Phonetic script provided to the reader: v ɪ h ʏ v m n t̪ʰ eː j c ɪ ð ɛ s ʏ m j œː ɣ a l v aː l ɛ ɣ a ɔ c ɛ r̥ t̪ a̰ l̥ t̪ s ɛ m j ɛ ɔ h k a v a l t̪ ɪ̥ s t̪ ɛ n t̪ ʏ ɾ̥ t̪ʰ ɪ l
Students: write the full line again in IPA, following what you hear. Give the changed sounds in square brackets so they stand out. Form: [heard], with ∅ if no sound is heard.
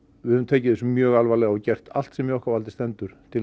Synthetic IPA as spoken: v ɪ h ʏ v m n t̪ʰ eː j c ɪ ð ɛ s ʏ m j œː ɣ a l v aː l ɛ ɣ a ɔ c ɛ r̥ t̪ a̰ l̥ t̪ s ɛ m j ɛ ɔ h k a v a l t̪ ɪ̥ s t̪ ɛ n t̪ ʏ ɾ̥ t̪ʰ ɪ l